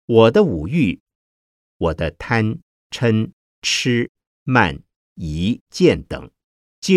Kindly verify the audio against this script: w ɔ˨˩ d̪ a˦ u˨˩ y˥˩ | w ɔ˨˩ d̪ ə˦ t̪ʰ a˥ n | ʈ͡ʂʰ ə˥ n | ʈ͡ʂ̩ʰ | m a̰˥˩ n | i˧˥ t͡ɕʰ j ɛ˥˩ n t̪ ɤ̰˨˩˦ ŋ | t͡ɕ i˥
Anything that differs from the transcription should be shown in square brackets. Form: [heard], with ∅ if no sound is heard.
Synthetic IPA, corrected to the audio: w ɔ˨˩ d̪ [ə˦] u˨˩ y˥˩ | w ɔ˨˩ d̪ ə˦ t̪ʰ a˥ n | ʈ͡ʂʰ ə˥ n | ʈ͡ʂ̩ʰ | m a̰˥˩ n | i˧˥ [t͡ɕ] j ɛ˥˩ n t̪ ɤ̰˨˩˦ ŋ | t͡ɕ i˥